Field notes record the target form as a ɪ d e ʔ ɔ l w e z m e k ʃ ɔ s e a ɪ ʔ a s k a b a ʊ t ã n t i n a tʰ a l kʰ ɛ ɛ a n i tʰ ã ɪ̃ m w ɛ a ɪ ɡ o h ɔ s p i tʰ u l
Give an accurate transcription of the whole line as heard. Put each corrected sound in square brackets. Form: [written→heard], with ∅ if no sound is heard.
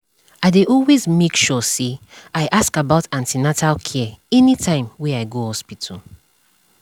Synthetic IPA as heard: a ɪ d e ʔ ɔ l w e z m e k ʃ ɔ s e a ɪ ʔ a s k a b a ʊ t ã n t i n a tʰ a l kʰ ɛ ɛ [a→ɛ] n i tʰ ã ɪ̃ m w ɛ a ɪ ɡ o h ɔ s p i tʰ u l